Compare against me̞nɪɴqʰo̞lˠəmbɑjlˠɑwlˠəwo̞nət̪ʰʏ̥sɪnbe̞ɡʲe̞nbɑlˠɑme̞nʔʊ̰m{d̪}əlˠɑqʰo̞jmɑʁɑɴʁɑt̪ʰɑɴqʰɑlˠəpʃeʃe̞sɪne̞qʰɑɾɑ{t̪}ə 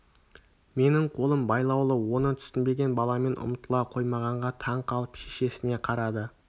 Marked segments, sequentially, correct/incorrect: incorrect: t̪, incorrect: d̪

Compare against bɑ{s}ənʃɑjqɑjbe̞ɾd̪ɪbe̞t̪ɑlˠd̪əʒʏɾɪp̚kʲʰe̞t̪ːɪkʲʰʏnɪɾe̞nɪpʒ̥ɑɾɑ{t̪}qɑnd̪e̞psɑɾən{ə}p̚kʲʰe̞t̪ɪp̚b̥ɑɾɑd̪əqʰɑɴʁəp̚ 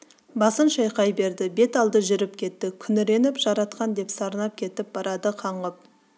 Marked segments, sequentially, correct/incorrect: correct, correct, incorrect: ɑ

